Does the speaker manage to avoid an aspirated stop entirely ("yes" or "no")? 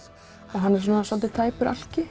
no